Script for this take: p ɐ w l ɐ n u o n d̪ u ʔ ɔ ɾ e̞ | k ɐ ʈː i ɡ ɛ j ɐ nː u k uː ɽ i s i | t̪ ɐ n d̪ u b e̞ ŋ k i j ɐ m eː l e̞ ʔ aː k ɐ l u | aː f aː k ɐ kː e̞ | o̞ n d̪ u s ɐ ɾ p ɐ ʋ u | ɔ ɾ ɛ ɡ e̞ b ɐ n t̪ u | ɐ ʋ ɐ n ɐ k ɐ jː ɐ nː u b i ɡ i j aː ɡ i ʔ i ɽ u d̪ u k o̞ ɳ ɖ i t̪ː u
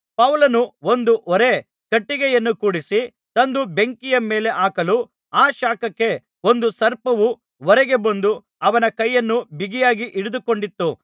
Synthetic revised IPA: p ɐ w l ɐ n u o n d̪ u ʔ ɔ ɾ e̞ | k ɐ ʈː i ɡ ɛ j ɐ nː u k uː ɽ i s i | t̪ ɐ n d̪ u b e̞ ŋ k i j ɐ m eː l e̞ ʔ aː k ɐ l u | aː ʃ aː k ɐ kː e̞ | o̞ n d̪ u s ɐ ɾ p ɐ ʋ u | ɔ ɾ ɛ ɡ e̞ b ɐ n d̪ u | ɐ ʋ ɐ n ɐ k ɐ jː ɐ nː u b i ɡ i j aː ɡ i ʔ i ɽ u d̪ u k o̞ ɳ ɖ i t̪ː u